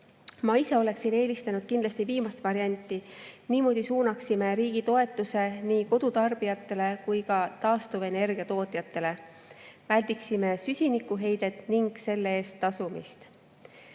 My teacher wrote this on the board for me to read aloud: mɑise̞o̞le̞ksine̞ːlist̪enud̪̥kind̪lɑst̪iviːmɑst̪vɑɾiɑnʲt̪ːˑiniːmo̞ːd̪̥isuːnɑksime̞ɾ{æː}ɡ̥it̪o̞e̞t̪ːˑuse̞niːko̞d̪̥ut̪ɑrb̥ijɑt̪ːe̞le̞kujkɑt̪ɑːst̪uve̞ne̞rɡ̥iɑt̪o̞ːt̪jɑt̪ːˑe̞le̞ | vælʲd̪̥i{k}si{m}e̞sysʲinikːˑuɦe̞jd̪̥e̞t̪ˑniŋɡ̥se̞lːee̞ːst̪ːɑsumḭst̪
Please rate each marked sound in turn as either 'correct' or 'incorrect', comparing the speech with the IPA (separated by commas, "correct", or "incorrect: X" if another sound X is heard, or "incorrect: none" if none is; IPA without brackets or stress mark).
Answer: incorrect: iː, correct, correct